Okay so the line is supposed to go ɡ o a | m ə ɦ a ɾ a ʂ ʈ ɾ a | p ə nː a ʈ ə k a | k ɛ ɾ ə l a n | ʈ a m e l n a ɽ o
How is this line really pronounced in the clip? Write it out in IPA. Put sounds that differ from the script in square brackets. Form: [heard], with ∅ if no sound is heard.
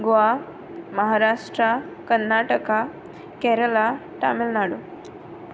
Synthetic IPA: ɡ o a | m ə ɦ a ɾ a ʂ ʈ ɾ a | [k] ə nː a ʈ ə k a | k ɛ ɾ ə l a [∅] | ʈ a m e l n a ɽ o